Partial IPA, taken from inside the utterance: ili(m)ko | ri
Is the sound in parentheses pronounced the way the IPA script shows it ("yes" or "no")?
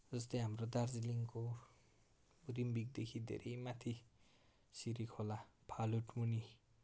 no